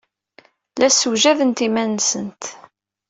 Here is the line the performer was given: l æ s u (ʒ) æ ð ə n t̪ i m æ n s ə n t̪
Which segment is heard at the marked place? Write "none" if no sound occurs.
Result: ʒ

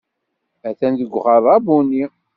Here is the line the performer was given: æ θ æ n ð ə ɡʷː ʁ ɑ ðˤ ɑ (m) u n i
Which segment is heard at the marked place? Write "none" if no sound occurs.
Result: b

